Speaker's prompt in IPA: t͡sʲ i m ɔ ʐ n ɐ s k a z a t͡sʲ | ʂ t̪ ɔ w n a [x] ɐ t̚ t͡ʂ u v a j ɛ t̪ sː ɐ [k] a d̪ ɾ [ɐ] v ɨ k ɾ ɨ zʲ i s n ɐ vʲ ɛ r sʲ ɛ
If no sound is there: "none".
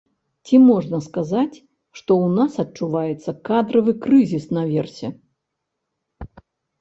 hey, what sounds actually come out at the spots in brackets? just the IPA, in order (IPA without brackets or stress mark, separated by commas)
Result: s, k, ɐ